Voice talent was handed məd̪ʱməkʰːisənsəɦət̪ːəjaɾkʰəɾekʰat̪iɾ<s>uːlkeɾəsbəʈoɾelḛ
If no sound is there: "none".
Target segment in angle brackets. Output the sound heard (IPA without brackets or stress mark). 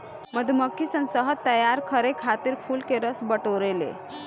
f